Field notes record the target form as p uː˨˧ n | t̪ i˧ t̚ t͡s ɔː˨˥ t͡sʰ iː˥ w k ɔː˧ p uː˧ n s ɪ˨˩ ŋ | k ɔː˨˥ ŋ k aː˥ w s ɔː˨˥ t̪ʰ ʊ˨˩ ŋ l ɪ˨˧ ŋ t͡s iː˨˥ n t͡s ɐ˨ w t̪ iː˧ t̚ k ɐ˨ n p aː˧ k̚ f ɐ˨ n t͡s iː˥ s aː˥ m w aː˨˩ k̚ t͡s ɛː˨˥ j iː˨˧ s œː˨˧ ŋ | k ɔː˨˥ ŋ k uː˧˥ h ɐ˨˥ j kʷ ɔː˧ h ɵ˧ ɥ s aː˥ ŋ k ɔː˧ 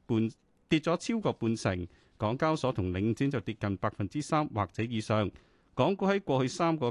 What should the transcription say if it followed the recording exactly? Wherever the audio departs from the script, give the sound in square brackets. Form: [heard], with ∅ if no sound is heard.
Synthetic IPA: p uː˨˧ n | t̪ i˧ t̚ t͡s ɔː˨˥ t͡sʰ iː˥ w k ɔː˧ p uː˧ n s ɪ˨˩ ŋ | k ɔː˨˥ ŋ k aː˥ w s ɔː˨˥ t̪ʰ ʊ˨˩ ŋ l ɪ˨˧ ŋ t͡s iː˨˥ n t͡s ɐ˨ w t̪ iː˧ t̚ k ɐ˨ n p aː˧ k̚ f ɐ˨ n t͡s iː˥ s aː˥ m w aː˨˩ k̚ t͡s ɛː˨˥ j iː˨˧ s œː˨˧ ŋ | k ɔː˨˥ ŋ k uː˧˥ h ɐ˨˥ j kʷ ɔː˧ h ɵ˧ ɥ s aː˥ [m] k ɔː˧